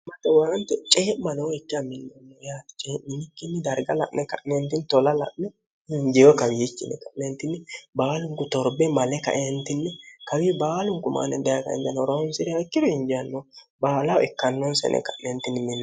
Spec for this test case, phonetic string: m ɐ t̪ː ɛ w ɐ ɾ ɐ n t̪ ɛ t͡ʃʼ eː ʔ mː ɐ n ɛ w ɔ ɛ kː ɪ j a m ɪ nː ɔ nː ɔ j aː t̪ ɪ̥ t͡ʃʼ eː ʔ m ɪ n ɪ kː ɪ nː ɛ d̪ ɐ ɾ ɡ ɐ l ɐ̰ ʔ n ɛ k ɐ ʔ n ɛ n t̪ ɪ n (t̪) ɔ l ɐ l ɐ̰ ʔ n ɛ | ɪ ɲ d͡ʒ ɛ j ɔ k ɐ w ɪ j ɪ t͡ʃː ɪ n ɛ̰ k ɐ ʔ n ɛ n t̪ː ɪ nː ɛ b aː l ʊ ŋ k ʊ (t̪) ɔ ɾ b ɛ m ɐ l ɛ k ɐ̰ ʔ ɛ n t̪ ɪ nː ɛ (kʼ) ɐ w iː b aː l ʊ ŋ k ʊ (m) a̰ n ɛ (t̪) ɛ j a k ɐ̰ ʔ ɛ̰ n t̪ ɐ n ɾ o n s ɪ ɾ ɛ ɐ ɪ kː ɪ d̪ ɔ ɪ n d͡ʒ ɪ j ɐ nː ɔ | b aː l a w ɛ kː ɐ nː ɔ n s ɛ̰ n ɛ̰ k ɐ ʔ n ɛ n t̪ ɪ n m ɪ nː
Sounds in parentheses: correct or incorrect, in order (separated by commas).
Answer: correct, correct, incorrect, correct, incorrect